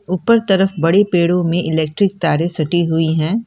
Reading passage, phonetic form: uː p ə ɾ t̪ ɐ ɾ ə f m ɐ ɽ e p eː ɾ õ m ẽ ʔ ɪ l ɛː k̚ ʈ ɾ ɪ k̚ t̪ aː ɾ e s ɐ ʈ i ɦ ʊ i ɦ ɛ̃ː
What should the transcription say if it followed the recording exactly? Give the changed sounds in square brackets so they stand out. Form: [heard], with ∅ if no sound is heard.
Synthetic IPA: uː p ə ɾ t̪ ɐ ɾ ə f [b] ɐ ɽ e p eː [ɽ] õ m ẽ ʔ ɪ l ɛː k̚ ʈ ɾ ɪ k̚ t̪ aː ɾ e s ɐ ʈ i ɦ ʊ i ɦ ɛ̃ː